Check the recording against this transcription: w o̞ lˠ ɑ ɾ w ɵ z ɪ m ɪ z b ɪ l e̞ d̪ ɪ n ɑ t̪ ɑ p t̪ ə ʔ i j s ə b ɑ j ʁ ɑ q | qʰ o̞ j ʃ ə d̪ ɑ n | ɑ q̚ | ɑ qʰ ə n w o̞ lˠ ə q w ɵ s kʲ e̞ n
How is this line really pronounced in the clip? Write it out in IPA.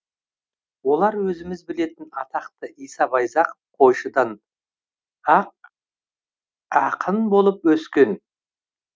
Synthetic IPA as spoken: w o̞ lˠ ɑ ɾ w ɵ z ɪ m ɪ z b ɪ l e̞ t̪ ɪ n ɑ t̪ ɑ q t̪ ə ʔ i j s ɑ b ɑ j z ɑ q | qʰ o̞ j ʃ ə d̪ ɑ n | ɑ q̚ | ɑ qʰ ə n b o̞ lˠ ə p w ɵ s kʲ e̞ n